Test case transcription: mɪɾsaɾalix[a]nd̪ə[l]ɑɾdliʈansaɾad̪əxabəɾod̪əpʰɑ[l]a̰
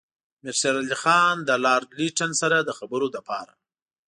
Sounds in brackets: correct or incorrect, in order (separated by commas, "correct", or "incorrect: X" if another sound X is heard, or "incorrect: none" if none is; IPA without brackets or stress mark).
incorrect: ɑ, correct, incorrect: ɾ